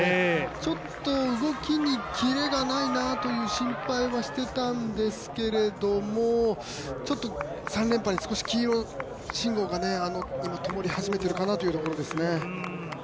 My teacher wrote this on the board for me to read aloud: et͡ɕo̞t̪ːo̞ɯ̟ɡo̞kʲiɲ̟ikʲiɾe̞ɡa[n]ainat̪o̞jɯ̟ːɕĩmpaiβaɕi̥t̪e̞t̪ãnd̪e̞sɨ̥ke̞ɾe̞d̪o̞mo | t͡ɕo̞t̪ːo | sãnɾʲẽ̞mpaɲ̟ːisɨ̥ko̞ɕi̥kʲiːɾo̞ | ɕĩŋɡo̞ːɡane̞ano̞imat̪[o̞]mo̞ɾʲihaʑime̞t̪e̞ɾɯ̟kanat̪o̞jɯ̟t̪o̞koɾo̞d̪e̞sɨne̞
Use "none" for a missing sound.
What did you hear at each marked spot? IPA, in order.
n, o̞

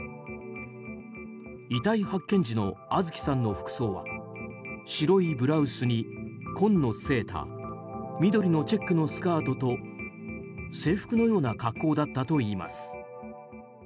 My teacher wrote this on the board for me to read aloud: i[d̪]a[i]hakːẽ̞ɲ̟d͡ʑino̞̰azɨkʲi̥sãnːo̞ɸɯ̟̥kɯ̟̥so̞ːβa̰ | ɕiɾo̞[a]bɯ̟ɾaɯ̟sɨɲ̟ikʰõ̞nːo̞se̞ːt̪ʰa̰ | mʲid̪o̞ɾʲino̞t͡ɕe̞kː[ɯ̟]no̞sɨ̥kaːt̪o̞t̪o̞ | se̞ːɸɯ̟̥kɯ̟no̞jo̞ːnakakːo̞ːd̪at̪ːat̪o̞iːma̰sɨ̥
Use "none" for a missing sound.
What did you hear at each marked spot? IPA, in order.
t̪, i, i, ɯ̟

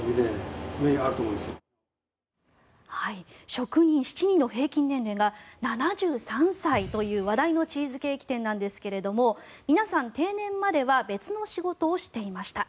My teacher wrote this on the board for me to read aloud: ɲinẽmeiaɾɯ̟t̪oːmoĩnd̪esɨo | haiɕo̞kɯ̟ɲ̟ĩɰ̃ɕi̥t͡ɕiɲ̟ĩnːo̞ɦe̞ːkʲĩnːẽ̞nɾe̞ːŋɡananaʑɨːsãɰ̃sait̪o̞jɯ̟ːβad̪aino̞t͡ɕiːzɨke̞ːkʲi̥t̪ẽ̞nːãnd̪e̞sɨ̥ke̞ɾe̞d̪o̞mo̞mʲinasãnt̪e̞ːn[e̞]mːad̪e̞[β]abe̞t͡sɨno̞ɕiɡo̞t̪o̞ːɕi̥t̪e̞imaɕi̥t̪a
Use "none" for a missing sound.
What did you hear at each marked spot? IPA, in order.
ẽ̞, β

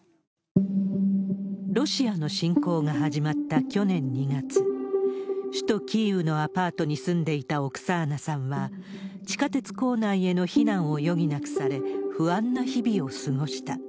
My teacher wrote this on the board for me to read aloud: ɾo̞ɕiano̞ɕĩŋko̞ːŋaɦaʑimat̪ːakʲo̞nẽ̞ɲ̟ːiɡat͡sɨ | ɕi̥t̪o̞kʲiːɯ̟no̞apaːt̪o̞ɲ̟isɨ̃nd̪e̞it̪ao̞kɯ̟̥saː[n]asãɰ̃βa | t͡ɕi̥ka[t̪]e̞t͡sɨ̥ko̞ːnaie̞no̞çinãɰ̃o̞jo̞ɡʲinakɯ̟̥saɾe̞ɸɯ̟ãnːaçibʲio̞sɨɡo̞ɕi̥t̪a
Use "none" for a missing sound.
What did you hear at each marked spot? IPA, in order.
n, t̪

